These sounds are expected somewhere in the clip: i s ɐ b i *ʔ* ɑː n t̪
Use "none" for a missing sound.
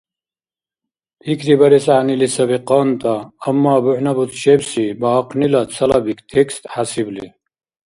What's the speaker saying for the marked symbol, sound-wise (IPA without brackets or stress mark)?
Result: q